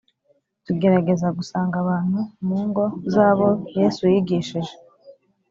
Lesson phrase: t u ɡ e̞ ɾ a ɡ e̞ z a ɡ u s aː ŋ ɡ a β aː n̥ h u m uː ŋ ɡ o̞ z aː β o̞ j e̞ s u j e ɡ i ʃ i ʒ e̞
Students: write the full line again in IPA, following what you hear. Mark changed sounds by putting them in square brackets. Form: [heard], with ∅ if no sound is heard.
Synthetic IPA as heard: t u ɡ e̞ ɾ a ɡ e̞ z a ɡ u s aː ŋ ɡ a β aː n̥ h u m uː ŋ ɡ o̞ z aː β o̞ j e̞ s u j [i] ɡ i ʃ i ʒ e̞